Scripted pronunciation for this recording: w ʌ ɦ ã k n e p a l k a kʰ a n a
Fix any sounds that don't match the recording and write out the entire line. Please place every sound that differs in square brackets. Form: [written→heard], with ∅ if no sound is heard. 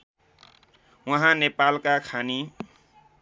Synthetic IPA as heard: w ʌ ɦ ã [k→∅] n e p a l k a kʰ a n [a→i]